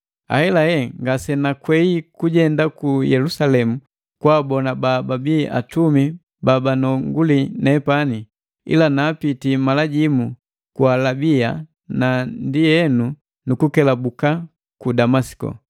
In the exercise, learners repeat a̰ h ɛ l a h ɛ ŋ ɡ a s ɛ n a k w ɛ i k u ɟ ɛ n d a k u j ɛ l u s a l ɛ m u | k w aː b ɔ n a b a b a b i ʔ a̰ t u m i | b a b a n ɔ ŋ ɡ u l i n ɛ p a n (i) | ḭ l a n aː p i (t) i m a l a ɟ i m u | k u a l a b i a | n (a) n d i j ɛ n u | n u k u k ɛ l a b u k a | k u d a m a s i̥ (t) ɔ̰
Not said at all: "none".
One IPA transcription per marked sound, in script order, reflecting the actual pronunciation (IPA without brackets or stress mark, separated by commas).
i, t, a, k